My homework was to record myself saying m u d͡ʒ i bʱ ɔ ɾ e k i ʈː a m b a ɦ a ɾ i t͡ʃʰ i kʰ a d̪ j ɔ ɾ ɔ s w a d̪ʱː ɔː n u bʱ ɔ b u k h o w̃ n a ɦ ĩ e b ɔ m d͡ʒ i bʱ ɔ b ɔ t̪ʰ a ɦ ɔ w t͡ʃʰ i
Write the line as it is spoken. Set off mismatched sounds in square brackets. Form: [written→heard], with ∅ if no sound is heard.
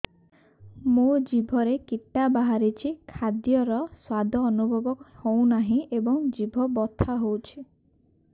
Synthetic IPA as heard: m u d͡ʒ i bʱ ɔ ɾ e k i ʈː a [m→∅] b a ɦ a ɾ i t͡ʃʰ i kʰ a d̪ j ɔ ɾ ɔ s w a [d̪ʱː→d̪ʱ] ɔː n u bʱ ɔ b [u→ɔ] k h o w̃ n a ɦ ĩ e b ɔ [m→ŋ] d͡ʒ i bʱ ɔ b ɔ t̪ʰ a ɦ [ɔ→o] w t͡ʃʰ i